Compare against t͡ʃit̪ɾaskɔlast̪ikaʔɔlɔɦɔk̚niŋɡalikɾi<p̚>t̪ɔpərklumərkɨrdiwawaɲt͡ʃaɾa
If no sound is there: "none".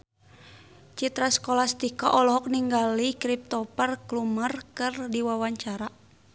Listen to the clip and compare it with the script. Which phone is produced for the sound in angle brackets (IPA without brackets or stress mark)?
p̚